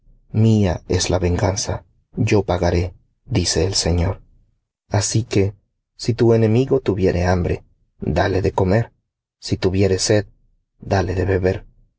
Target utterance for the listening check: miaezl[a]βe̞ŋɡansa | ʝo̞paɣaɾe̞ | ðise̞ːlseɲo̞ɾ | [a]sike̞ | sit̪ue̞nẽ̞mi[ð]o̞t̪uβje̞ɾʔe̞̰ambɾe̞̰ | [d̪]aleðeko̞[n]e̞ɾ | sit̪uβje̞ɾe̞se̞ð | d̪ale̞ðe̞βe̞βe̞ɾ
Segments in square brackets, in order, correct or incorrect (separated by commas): correct, correct, incorrect, correct, incorrect